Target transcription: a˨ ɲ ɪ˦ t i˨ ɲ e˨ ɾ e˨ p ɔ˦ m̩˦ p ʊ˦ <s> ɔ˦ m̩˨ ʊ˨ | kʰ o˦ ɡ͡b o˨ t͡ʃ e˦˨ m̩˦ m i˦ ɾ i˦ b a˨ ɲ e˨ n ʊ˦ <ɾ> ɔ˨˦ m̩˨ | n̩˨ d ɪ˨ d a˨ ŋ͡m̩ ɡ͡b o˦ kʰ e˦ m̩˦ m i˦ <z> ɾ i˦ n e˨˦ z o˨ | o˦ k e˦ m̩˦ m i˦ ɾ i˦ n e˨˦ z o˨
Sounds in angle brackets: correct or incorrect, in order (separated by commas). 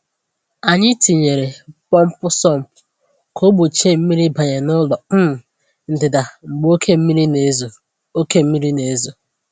correct, incorrect, incorrect